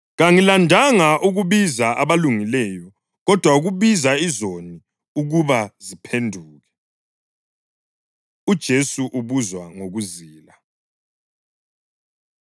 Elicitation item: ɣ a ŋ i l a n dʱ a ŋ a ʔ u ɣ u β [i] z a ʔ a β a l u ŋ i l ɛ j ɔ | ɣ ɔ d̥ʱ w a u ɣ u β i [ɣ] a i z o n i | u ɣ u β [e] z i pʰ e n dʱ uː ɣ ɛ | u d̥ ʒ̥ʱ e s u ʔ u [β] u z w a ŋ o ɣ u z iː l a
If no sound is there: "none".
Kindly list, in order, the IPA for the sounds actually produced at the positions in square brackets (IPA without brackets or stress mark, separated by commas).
i, z, a, β